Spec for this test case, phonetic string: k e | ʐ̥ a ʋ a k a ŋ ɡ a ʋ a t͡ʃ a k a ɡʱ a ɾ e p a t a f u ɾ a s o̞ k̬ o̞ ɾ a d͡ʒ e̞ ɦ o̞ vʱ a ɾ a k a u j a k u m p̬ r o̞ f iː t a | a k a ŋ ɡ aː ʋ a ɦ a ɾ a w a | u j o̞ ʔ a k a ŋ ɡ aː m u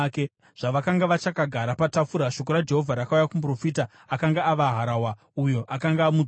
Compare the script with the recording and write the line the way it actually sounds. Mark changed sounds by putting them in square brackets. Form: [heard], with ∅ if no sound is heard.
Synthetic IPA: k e | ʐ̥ a ʋ a k a ŋ ɡ a ʋ a t͡ʃ a k a ɡʱ a ɾ [a] p a t a f u ɾ a [ʃ] o̞ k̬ o̞ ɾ a d͡ʒ e̞ ɦ o̞ vʱ a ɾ a k a u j a k u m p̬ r o̞ f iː t a | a k a ŋ ɡ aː ʋ a ɦ a ɾ a w a | u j o̞ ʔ a k a ŋ ɡ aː m u